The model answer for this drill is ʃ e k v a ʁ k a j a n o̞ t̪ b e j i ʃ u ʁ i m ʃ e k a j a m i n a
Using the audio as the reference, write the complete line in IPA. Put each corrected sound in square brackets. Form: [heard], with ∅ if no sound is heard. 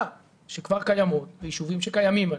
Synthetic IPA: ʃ e k v a ʁ k a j a [m] o̞ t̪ [v] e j i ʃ u [v] i m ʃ e k a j a m i [m] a